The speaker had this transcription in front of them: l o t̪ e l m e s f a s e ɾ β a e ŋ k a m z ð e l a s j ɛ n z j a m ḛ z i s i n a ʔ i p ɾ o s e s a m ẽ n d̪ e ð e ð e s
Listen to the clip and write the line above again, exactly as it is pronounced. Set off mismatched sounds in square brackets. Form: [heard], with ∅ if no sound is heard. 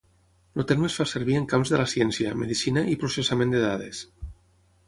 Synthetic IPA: l o t̪ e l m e s f a s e ɾ β [i] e ŋ k a m z ð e l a s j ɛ n [s] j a m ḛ [ð] i s i n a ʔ i p ɾ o s e s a m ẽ n d̪ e ð [a] ð e s